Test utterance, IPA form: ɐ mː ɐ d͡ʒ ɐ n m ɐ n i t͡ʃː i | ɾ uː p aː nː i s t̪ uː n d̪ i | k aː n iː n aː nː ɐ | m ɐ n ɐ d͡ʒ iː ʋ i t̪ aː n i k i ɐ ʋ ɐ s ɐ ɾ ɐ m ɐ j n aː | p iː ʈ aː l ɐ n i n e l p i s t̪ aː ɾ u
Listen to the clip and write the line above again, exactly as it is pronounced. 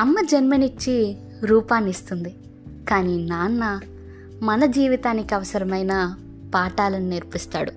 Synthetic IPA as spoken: ɐ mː ɐ d͡ʒ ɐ n m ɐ n i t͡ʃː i | ɾ uː p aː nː i s t̪ u n d̪ i | k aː n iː n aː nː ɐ | m ɐ n ɐ d͡ʒ iː ʋ i t̪ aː n i k i ɐ ʋ ɐ s ɐ ɾ ɐ m ɐ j n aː | p aː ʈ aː l ɐ n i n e ɾ p i s t̪ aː ɽ u